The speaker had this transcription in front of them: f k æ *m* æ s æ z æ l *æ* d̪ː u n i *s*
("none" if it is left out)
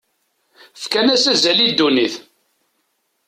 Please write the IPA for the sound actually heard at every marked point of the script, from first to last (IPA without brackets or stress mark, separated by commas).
n, i, θ